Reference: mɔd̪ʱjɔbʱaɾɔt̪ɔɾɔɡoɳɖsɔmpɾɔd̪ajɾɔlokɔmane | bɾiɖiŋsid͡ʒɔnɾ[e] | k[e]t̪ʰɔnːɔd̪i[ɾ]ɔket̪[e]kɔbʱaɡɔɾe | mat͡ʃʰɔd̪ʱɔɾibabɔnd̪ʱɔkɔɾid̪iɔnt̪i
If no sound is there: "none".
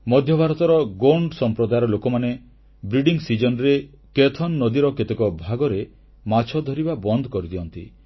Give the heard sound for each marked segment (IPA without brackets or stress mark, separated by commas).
e, e, ɾ, e